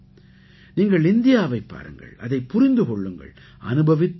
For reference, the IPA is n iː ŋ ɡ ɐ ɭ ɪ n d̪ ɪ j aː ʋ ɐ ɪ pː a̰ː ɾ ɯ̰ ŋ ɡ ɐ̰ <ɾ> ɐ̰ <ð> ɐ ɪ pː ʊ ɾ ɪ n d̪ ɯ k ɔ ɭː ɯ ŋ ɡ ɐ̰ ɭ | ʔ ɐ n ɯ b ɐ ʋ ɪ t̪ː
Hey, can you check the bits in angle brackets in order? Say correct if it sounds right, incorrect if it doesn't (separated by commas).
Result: incorrect, correct